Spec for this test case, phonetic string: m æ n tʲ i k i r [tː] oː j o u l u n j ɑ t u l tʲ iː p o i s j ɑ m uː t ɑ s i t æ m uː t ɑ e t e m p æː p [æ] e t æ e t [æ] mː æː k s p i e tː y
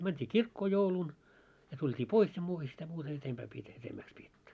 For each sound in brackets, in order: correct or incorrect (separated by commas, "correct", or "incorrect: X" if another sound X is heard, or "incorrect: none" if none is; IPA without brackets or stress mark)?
incorrect: kː, incorrect: i, incorrect: e